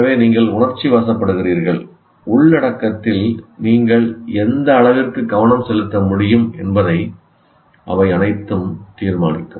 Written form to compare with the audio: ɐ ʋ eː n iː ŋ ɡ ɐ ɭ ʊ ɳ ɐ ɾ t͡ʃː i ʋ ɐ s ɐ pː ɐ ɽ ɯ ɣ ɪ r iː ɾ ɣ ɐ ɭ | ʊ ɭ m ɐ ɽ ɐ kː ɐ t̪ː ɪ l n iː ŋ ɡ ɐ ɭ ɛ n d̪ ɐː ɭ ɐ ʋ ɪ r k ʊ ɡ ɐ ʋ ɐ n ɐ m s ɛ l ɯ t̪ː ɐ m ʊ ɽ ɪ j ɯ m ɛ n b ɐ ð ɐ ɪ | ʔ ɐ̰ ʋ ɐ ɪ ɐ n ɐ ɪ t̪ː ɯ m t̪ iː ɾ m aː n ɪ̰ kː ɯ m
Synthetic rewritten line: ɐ ʋ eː n iː ŋ ɡ ɐ ɭ ʊ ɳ ɐ ɾ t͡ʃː i ʋ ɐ s ɐ pː ɐ ɽ ɯ ɣ ɪ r iː ɾ ɣ ɐ ɭ | ʊ ɭ n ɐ ɽ ɐ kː ɐ t̪ː ɪ l n iː ŋ ɡ ɐ ɭ ɛ n d̪ ɐː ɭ ɐ ʋ ɪ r k ɯ ɡ ɐ ʋ ɐ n ɐ m s ɛ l ɯ t̪ː ɐ m ʊ ɽ ɪ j ɯ m ɛ n b ɐ ð ɐ ɪ | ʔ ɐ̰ ʋ ɐ ɪ ɐ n ɐ ɪ t̪ː ɯ m t̪ iː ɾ m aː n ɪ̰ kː ɯ m